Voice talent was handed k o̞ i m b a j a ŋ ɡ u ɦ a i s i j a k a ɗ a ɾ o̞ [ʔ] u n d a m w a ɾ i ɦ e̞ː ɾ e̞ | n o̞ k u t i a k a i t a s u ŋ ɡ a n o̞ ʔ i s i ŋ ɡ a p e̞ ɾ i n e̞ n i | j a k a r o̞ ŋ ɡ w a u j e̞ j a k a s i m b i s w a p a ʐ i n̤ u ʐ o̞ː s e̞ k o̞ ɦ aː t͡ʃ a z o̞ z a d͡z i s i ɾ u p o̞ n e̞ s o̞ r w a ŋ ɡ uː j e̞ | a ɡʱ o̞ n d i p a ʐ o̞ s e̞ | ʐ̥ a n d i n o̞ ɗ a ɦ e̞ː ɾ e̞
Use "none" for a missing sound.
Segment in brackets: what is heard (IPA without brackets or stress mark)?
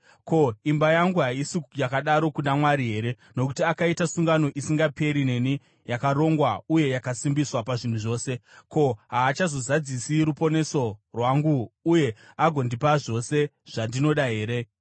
k